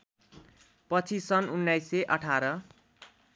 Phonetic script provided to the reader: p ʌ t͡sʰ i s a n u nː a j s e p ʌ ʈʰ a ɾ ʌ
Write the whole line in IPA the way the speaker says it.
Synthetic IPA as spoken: p ʌ t͡sʰ i s ʌ n u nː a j s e ʔ ʌ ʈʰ a ɾ ʌ